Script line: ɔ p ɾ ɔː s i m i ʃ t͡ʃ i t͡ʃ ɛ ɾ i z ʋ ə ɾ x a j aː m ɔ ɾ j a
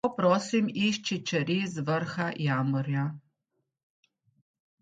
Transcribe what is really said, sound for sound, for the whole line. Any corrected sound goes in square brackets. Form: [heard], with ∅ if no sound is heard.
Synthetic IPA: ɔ p ɾ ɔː s i m i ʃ t͡ʃ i t͡ʃ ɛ ɾ i z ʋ ə ɾ x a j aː m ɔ ɾ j a